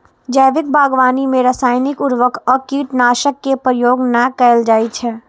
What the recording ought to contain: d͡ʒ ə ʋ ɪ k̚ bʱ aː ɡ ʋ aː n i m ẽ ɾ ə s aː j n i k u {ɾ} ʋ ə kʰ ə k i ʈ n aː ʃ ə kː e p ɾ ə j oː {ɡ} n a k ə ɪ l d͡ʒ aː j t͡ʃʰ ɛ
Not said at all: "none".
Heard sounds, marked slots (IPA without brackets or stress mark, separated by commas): ɾ, ɡ